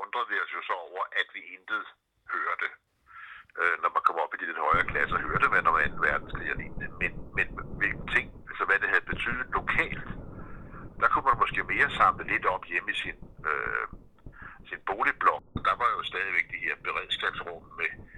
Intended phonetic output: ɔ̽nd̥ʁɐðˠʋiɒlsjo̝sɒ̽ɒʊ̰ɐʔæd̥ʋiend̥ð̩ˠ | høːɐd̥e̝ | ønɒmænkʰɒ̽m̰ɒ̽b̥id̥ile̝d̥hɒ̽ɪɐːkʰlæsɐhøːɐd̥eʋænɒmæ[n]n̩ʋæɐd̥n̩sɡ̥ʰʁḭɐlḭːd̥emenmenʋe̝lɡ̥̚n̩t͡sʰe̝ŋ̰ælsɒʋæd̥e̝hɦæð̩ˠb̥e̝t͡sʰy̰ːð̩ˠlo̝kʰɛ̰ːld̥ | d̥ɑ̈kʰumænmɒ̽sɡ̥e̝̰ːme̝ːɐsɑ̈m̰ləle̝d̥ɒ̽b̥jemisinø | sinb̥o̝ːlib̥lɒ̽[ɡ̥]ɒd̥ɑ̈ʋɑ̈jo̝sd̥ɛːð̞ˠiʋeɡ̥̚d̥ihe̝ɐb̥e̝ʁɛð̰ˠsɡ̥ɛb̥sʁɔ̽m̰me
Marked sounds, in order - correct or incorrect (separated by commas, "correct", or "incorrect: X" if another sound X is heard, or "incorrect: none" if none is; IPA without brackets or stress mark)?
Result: correct, correct